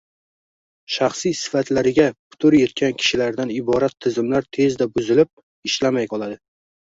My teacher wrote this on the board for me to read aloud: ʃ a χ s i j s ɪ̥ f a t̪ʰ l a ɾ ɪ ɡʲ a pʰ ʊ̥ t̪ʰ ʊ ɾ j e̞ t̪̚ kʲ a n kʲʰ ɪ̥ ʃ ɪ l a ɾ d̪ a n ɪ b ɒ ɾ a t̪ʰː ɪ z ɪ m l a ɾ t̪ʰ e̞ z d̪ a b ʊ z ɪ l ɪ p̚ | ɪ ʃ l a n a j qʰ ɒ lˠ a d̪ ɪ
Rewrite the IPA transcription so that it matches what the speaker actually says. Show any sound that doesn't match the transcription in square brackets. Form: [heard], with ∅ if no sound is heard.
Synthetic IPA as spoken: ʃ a χ s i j s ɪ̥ f a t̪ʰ l a ɾ ɪ ɡʲ a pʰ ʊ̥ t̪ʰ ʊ ɾ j e̞ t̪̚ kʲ a n kʲʰ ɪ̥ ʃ ɪ l a ɾ d̪ a n ɪ b ɒ ɾ a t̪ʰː ɪ z ɪ m l a ɾ t̪ʰ e̞ z d̪ a b ʊ z ɪ l ɪ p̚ | ɪ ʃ l a [m] a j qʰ ɒ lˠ a d̪ ɪ